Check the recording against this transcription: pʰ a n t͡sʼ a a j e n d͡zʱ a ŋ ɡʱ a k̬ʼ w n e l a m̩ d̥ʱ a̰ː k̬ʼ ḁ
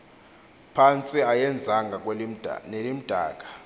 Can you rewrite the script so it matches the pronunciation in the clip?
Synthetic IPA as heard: pʰ a n t͡sʼ i a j ɛ n d͡zʱ a ŋ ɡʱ a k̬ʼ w n e l i m̩ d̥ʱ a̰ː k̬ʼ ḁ